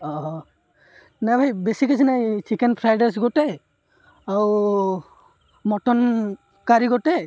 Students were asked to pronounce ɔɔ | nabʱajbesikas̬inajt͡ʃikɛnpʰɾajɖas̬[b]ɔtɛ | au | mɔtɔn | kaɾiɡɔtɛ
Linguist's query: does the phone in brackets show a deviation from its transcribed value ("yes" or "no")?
yes